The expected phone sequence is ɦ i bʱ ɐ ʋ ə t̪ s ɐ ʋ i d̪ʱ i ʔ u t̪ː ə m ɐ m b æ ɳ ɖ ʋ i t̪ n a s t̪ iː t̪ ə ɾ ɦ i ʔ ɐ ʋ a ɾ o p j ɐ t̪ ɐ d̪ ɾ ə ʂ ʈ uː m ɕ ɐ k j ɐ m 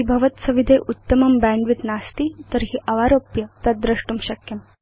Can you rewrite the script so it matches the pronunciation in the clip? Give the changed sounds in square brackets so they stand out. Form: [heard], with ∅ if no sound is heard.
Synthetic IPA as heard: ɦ i bʱ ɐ ʋ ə t̪ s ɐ ʋ i d̪ʱ [e] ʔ u t̪ː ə m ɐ m b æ ɳ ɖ ʋ i t̪ n a s t̪ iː t̪ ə ɾ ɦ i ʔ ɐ ʋ a ɾ o p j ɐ t̪ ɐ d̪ ɾ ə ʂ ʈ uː m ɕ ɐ k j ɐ m

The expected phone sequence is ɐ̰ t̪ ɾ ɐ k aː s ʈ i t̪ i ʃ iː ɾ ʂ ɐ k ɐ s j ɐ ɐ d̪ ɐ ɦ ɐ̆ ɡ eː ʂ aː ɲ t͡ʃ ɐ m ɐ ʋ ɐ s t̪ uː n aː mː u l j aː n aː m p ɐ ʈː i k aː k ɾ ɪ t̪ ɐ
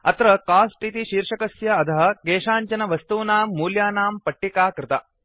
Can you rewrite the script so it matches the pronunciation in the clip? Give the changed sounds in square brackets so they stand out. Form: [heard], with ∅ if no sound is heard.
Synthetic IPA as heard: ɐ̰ t̪ ɾ ɐ k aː s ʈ i t̪ i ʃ iː ɾ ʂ ɐ k ɐ s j ɐ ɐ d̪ ɐ ɦ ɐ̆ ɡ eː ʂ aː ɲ t͡ʃ ɐ [n] ɐ ʋ ɐ s t̪ uː n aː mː [uː] l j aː n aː m p ɐ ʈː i k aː k ɾ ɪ t̪ ɐ

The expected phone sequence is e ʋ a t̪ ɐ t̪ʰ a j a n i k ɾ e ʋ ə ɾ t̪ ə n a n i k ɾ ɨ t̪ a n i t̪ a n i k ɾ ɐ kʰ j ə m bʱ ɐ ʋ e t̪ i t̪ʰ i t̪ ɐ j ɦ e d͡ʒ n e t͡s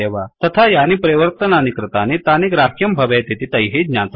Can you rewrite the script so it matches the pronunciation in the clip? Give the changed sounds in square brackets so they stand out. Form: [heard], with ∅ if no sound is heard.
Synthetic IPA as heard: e ʋ a t̪ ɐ t̪ʰ a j a n i [p] ɾ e ʋ ə ɾ t̪ ə n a n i k ɾ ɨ t̪ a n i t̪ a n i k ɾ [a] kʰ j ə m bʱ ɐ ʋ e t̪ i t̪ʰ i t̪ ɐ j ɦ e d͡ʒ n [a] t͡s

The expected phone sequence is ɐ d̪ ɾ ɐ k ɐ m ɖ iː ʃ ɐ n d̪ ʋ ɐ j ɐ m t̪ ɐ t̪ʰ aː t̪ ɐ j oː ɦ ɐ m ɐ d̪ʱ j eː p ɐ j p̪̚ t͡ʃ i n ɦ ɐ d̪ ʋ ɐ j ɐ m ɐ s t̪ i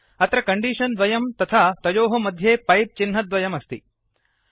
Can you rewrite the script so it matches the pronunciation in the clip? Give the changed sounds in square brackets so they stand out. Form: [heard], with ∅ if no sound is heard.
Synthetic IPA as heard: ɐ [t̪] ɾ ɐ k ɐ [ɳ] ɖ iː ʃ ɐ n d̪ ʋ ɐ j ɐ m t̪ ɐ t̪ʰ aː t̪ ɐ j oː ɦ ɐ m ɐ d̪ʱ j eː p ɐ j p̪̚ t͡ʃ i n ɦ ɐ d̪ ʋ ɐ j ɐ m ɐ s t̪ i

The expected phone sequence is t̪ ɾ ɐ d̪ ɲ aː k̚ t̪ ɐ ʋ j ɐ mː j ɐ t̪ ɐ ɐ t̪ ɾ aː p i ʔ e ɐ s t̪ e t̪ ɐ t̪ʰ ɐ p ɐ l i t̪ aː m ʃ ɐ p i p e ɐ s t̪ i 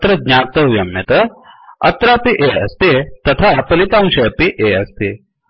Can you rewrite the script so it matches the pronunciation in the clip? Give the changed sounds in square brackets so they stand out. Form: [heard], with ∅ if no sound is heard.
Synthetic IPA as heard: t̪ ɾ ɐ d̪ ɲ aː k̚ t̪ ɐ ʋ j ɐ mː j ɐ t̪ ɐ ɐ t̪ ɾ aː p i ʔ e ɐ s t̪ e t̪ ɐ t̪ʰ [a] p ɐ l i t̪ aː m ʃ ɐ p i [ʔ] e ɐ s t̪ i

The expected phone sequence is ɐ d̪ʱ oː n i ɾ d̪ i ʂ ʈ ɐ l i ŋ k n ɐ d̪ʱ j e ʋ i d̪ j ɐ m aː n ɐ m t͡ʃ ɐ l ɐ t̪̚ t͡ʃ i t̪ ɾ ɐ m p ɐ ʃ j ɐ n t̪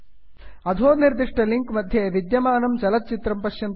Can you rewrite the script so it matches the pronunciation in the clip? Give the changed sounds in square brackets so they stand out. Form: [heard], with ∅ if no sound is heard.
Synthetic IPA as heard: ɐ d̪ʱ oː n i ɾ d̪ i ʂ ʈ ɐ l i ŋ k [m] ɐ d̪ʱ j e ʋ i d̪ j ɐ m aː n ɐ m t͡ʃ ɐ l ɐ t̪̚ t͡ʃ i t̪ ɾ ɐ m p ɐ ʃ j ɐ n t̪

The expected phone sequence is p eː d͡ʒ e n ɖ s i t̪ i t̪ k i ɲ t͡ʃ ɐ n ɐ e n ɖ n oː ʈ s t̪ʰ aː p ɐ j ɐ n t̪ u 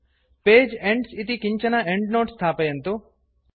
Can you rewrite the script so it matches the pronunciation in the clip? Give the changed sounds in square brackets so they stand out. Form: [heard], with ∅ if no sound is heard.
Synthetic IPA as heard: p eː d͡ʒ e [ɳ] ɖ s i t̪ i [∅] k i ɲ t͡ʃ ɐ n ɐ e [ɳ] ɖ n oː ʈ s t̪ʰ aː p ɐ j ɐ n t̪ u

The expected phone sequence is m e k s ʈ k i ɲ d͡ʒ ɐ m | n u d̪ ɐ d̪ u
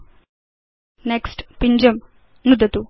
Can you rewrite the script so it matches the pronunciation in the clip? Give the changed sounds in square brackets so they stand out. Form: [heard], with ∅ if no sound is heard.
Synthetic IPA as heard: [n] e k s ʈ [p] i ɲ d͡ʒ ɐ m | n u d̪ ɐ [t̪] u

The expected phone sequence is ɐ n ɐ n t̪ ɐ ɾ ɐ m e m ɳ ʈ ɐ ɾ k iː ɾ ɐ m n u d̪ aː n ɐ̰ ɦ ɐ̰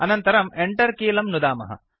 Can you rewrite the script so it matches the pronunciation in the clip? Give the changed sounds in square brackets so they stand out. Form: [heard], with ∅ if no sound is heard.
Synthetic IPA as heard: ɐ n ɐ n t̪ ɐ ɾ ɐ m e [∅] ɳ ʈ ɐ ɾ k iː [l] ɐ m n u d̪ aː [m] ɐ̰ ɦ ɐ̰

